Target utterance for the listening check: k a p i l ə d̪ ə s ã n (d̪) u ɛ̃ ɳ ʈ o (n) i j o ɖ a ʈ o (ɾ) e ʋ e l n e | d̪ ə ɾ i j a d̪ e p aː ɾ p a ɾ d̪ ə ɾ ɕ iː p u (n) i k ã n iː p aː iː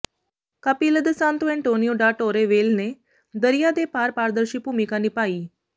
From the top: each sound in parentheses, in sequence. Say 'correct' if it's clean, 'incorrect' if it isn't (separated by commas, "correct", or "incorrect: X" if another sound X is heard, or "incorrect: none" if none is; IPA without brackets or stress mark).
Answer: incorrect: t̪, correct, correct, incorrect: m